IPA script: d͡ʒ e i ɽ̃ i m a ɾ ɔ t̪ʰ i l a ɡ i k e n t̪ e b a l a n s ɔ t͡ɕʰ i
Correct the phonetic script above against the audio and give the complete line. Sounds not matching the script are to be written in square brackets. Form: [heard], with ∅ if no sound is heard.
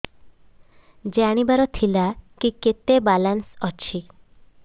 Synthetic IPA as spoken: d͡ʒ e [a] ɽ̃ i [b] a ɾ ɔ t̪ʰ i l a [k] i k e [∅] t̪ e b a l a n s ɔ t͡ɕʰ i